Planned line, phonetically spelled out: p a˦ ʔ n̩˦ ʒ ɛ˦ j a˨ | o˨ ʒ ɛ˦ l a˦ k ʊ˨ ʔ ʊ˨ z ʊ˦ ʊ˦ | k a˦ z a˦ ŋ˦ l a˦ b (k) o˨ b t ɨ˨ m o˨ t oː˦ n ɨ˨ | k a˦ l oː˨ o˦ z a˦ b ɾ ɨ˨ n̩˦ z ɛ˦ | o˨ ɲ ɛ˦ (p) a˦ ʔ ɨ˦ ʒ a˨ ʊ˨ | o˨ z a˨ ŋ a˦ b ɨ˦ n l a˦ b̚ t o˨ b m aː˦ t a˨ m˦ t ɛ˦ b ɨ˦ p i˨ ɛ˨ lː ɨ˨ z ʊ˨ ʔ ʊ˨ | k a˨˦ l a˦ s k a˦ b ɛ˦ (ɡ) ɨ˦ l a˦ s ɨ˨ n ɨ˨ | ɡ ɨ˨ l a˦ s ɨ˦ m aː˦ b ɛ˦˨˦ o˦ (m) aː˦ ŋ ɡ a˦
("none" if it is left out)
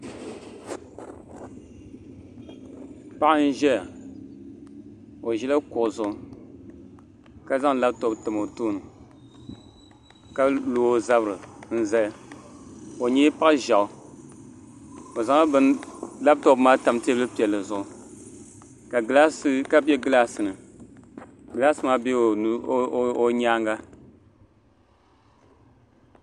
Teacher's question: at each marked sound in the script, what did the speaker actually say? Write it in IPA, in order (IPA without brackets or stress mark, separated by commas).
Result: t, p, ɡ, ɲ